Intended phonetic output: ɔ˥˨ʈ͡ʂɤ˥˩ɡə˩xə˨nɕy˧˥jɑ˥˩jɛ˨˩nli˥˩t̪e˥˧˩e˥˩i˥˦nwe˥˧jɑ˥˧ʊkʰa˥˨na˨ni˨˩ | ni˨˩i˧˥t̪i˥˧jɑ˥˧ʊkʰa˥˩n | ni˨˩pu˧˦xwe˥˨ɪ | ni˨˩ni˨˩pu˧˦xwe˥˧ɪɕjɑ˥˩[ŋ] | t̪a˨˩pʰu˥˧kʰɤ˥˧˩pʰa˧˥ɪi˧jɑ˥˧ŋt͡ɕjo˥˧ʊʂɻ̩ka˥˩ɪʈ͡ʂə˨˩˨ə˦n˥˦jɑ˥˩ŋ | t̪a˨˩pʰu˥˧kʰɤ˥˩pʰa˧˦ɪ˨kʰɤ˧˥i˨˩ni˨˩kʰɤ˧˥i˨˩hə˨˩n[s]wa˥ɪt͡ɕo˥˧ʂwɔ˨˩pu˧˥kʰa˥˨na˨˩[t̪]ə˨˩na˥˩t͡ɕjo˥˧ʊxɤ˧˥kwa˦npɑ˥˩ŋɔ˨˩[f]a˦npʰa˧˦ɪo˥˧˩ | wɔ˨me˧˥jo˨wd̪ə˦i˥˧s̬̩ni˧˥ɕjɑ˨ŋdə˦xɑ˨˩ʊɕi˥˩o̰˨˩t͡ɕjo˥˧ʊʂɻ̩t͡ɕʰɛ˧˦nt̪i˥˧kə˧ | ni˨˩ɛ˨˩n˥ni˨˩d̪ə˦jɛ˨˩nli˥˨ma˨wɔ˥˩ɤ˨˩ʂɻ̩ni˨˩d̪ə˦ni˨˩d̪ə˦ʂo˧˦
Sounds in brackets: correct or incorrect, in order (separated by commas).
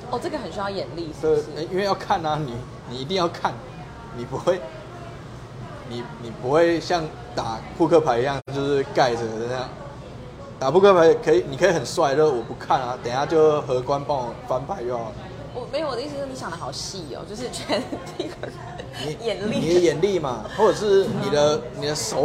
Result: correct, correct, correct, correct